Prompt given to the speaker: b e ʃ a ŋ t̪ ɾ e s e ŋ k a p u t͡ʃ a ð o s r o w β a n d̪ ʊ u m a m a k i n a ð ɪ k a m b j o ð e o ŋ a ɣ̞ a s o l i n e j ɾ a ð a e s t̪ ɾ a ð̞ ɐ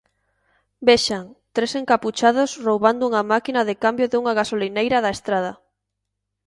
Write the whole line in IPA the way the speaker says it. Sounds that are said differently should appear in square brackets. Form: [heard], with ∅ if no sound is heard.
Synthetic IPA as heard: b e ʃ a ŋ t̪ ɾ e s e ŋ k a p u t͡ʃ a ð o s r o w β a n d̪ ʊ u [ŋ] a m a k i n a ð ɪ k a m b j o ð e [u] ŋ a ɣ̞ a s o l i n e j ɾ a ð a e s t̪ ɾ a ð̞ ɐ

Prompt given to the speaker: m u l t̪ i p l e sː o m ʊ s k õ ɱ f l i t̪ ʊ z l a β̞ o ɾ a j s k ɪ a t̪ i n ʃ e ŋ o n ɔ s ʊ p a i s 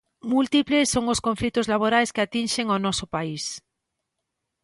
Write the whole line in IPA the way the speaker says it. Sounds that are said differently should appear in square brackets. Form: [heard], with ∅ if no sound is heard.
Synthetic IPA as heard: m u l t̪ i p l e sː o [ŋ] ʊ s k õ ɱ f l i t̪ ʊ z l a β̞ o ɾ a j s k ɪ a t̪ i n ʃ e ŋ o n ɔ s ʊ p a i s

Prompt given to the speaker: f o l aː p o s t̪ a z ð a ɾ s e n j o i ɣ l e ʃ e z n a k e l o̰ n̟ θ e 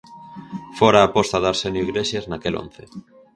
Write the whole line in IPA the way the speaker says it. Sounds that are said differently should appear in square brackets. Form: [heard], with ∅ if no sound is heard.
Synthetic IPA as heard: f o [ɾ] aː p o s t̪ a [∅] ð a ɾ s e n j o i ɣ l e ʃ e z n a k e l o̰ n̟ θ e

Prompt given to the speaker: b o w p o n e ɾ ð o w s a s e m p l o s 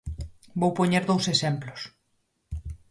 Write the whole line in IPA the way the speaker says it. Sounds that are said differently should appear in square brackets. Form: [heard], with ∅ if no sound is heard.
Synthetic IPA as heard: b o w p o [ɲ] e ɾ ð o w s [e] s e m p l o s

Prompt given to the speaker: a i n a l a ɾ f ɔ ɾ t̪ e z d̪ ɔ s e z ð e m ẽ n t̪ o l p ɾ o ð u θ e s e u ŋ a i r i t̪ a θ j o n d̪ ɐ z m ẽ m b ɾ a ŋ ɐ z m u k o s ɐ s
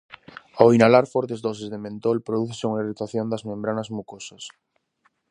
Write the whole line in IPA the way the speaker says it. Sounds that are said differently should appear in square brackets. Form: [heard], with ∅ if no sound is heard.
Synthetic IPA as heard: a i n a l a ɾ f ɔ ɾ t̪ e z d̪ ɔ s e z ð e m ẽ n t̪ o l p ɾ o ð u θ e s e u ŋ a i r i t̪ a θ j o n d̪ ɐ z m ẽ m b ɾ a [n] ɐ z m u k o s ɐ s

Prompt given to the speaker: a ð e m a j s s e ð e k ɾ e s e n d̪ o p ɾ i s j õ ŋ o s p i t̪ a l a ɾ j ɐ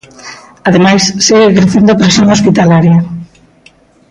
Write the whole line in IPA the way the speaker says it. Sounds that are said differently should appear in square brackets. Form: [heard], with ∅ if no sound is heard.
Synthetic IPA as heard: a ð e m a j s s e [ɣ] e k ɾ e [θ] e n d̪ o p ɾ [e] s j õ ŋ o s p i t̪ a l a ɾ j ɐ

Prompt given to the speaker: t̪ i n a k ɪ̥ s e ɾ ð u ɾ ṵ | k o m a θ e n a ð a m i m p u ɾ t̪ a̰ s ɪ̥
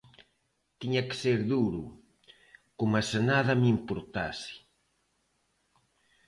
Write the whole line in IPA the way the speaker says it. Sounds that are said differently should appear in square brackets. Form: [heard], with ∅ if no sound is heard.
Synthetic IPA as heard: t̪ i [ɲ] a k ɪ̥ s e ɾ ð u ɾ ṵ | k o m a [s] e n a ð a m i m p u ɾ t̪ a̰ s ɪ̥

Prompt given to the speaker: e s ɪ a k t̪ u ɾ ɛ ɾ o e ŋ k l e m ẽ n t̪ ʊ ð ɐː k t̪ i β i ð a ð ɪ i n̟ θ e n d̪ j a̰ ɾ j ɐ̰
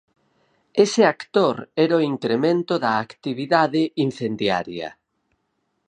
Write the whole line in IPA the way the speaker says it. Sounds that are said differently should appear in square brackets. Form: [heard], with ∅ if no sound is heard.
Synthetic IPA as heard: e s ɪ a k t̪ [o] ɾ ɛ ɾ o [i] ŋ k [ɾ] e m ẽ n t̪ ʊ ð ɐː k t̪ i β i ð a ð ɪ i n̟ θ e n d̪ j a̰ ɾ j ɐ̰

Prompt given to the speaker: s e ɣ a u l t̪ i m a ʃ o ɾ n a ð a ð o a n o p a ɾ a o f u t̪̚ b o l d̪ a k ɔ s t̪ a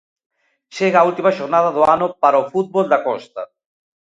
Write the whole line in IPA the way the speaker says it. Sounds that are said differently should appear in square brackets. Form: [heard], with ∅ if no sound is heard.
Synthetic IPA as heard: [ʃ] e ɣ a u l t̪ i m a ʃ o ɾ n a ð a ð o a n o p a ɾ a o f u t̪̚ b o l d̪ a k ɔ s t̪ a

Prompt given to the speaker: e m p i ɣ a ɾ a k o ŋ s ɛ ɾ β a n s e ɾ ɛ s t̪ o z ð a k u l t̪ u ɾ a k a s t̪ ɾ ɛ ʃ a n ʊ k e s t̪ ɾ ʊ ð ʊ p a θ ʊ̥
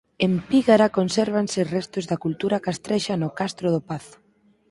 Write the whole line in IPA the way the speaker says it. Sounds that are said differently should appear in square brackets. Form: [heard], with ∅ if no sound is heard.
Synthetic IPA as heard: e m p i ɣ a ɾ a k o [n] s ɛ ɾ β a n s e [r] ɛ s t̪ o z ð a k u l t̪ u ɾ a k a s t̪ ɾ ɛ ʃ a n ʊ k [a] s t̪ ɾ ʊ ð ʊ p a θ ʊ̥

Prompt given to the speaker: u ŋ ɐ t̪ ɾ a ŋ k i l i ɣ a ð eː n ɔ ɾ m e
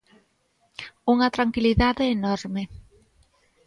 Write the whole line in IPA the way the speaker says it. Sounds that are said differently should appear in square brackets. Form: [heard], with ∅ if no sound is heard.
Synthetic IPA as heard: u ŋ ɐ t̪ ɾ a ŋ k i l i [ð] a ð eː n ɔ ɾ m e

